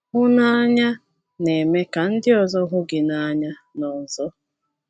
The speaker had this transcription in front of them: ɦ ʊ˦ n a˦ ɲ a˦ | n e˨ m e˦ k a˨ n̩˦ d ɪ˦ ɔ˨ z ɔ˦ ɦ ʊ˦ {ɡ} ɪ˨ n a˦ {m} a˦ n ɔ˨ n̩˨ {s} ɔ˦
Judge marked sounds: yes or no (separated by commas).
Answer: yes, no, no